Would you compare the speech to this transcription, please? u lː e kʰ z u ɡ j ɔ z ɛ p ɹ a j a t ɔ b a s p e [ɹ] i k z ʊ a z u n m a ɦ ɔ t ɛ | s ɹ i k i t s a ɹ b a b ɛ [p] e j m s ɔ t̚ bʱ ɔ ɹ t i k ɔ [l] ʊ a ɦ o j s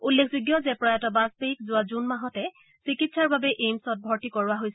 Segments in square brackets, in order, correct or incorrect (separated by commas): incorrect, incorrect, incorrect